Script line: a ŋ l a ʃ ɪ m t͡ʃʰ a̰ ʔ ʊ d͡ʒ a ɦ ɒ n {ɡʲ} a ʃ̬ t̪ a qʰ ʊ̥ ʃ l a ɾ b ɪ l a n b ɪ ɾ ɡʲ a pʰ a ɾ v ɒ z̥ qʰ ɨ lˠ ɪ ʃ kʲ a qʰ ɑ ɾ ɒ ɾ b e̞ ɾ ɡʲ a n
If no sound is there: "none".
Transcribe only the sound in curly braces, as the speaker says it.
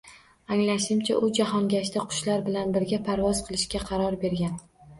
ɡʲ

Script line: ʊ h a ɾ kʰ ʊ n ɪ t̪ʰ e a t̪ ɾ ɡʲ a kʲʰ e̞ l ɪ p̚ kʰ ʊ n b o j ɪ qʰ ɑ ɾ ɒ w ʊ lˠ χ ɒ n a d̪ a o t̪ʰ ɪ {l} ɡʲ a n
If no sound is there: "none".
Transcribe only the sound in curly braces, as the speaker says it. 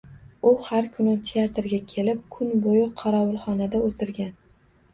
ɾ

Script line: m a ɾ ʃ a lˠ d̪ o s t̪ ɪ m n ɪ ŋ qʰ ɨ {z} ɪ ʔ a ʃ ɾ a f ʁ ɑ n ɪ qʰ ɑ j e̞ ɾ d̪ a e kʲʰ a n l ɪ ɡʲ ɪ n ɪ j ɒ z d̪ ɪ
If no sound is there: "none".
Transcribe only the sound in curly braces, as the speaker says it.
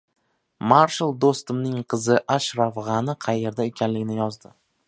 z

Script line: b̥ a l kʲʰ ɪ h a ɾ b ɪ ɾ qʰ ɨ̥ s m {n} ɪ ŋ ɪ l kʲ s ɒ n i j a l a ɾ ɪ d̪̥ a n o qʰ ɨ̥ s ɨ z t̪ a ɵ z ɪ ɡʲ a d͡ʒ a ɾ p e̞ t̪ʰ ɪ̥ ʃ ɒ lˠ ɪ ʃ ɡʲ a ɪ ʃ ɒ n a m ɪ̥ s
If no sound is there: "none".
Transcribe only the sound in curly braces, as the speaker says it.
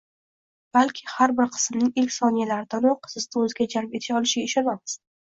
n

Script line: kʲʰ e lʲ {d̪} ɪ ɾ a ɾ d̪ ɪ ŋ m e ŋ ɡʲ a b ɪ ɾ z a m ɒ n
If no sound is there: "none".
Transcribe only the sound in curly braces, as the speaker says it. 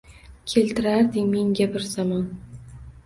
t̪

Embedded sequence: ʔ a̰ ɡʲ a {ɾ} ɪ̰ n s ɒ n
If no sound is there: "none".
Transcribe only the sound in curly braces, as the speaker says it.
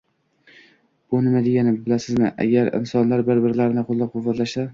ɾ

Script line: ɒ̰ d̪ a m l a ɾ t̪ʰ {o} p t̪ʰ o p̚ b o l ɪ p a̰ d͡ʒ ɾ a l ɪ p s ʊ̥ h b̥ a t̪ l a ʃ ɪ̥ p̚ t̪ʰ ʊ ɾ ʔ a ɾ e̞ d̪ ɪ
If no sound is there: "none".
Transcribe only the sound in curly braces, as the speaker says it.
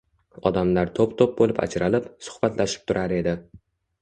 o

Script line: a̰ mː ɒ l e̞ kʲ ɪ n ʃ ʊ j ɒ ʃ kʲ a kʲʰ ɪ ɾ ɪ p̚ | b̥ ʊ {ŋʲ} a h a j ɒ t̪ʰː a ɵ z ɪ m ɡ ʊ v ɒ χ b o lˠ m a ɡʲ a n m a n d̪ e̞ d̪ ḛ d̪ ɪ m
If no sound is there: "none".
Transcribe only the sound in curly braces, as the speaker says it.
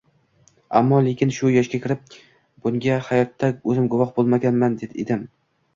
ŋʲ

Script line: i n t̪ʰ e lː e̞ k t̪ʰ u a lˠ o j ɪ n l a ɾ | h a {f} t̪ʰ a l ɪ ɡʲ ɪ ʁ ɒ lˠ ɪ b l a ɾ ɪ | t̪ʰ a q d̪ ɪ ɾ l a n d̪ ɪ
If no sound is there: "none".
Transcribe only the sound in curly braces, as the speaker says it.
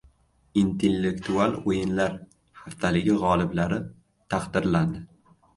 f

